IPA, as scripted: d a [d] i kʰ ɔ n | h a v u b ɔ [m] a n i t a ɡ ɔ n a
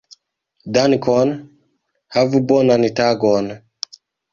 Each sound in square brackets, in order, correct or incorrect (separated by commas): incorrect, incorrect